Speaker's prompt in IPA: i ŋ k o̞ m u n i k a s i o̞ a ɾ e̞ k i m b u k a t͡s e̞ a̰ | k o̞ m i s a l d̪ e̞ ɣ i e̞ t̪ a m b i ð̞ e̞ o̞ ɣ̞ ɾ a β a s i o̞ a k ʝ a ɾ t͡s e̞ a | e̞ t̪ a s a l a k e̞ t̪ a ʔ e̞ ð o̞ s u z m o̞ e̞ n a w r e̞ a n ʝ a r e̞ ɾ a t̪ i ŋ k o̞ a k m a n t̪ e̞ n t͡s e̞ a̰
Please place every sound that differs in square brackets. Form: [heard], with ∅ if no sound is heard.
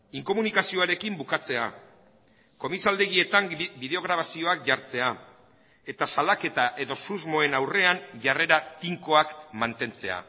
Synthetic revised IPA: i ŋ k o̞ m u n i k a s i o̞ a ɾ e̞ k i m b u k a t͡s e̞ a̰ | k o̞ m i s a l d̪ e̞ ɣ i e̞ t̪ a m b i ð̞ e̞ o̞ ɣ̞ ɾ a β a s i o̞ a k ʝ a ɾ t͡s e̞ a | e̞ t̪ a s a l a k e̞ t̪ a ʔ e̞ ð o̞ s u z m o̞ e̞ n a w r e̞ a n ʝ a r e̞ ɾ a t̪ i ŋ k o̞ a k m a n t̪ e̞ n t͡s e̞ a̰